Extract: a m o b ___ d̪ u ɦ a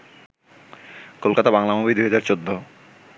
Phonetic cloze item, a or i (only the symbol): i